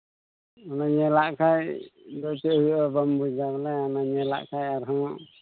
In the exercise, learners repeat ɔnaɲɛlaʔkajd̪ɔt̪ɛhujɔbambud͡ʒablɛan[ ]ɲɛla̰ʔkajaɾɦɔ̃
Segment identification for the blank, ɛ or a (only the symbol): a